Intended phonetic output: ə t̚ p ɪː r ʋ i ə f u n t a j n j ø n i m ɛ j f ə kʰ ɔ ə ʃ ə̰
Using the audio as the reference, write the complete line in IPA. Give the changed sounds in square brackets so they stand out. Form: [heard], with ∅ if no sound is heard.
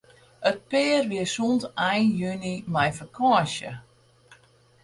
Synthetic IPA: ə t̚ p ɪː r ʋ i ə [s] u n t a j n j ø n i m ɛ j f ə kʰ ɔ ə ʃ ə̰